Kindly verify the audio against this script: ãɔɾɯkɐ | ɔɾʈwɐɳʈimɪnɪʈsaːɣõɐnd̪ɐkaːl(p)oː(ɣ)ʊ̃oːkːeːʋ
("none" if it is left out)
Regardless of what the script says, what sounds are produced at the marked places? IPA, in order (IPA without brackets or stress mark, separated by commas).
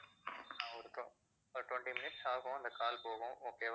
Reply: p, ɣ